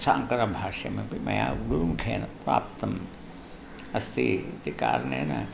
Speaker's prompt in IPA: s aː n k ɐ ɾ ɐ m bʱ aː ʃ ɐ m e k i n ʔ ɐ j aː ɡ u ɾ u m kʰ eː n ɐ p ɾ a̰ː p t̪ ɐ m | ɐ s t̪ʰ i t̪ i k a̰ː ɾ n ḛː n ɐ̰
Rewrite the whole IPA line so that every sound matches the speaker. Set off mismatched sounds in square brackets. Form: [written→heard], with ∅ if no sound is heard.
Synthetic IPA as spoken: s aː [n→ŋ] k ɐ ɾ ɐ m bʱ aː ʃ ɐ m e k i [n→m] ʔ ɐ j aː ɡ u ɾ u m kʰ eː n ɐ p ɾ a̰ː p t̪ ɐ m | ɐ s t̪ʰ i t̪ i k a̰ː ɾ n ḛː n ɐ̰